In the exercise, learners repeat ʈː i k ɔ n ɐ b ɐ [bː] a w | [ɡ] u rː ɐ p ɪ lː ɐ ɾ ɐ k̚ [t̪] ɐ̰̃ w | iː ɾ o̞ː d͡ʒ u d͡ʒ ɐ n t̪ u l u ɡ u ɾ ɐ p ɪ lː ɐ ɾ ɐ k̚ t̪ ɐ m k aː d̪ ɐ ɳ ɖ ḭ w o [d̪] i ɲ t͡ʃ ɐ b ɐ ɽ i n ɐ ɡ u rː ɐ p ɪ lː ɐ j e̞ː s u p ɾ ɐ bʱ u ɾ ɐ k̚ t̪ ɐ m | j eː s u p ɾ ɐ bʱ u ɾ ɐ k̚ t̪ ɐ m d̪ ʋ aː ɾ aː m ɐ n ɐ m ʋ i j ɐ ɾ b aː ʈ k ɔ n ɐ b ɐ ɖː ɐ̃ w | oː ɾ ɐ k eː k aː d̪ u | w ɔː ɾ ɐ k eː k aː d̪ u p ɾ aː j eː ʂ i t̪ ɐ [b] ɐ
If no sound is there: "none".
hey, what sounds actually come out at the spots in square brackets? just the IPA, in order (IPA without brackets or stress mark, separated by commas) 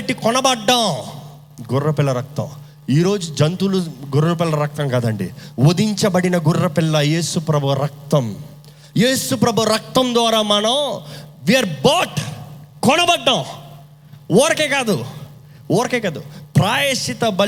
ɖː, ɡ, t̪, d̪, b